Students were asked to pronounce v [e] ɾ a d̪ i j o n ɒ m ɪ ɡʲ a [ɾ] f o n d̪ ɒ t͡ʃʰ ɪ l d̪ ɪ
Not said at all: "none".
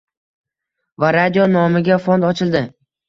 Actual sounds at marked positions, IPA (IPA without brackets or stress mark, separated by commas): a, none